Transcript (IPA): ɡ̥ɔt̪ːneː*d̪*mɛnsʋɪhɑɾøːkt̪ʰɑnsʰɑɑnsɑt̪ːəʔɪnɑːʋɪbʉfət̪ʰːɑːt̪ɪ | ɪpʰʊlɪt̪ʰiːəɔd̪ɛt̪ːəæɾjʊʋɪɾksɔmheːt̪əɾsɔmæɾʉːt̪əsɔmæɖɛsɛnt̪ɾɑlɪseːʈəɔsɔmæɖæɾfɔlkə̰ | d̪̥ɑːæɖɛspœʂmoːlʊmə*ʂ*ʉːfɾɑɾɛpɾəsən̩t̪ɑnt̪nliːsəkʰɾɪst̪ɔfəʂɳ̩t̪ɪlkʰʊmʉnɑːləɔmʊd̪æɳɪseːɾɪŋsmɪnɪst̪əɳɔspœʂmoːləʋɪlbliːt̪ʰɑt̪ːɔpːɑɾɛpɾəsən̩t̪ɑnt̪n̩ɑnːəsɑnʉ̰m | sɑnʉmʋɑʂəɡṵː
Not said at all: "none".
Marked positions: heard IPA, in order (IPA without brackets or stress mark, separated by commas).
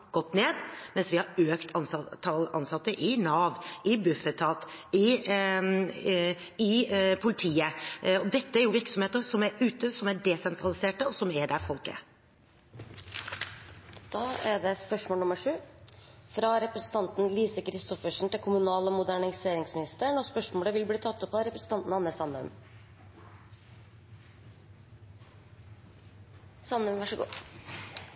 d̪, ʂ